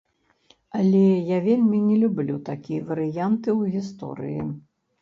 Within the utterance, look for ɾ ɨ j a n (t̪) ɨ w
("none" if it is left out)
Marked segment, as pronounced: t̪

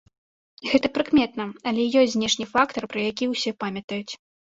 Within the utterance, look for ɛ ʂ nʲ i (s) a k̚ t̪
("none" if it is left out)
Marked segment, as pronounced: f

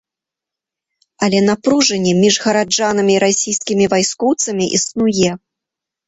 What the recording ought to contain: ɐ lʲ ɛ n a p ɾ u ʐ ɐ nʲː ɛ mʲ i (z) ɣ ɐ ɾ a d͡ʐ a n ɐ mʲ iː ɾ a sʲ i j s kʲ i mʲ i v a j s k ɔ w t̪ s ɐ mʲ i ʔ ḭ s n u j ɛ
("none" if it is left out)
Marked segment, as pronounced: ʐ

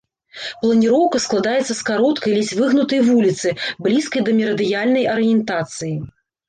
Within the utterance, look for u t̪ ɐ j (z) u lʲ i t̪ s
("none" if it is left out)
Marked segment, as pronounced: v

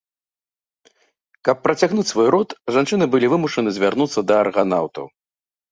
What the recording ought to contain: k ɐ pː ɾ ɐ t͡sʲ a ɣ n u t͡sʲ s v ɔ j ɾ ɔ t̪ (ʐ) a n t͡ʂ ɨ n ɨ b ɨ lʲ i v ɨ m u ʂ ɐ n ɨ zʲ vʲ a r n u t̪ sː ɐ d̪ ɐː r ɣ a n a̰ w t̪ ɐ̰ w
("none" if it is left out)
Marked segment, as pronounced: ʐ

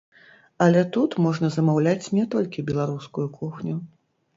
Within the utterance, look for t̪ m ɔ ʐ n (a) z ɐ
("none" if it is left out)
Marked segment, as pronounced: ɐ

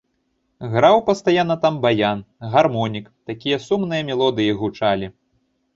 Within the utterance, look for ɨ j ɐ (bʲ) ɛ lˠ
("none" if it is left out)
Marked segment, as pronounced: mʲ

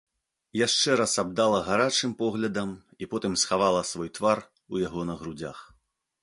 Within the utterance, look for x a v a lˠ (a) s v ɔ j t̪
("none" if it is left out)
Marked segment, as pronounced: ɐ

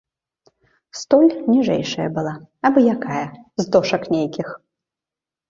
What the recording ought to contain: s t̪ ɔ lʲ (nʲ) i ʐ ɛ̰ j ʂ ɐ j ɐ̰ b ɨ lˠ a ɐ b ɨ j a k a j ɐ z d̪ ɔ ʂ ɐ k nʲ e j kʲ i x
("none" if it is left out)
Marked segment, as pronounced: nʲ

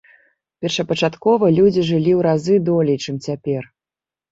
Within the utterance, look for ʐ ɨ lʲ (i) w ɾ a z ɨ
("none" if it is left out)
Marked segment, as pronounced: i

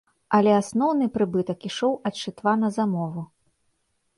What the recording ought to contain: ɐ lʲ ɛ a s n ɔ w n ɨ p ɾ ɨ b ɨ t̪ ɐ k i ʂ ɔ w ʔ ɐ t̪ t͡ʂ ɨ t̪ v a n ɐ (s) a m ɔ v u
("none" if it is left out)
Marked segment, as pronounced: z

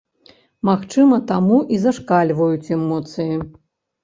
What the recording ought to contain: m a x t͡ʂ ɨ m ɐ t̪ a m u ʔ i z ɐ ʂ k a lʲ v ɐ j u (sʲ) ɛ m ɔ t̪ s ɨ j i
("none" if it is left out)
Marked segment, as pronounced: t͡sʲ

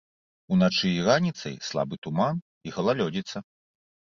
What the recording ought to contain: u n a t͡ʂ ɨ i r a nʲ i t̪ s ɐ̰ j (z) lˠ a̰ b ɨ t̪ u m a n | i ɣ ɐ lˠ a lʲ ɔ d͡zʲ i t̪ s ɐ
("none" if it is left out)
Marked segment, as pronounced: s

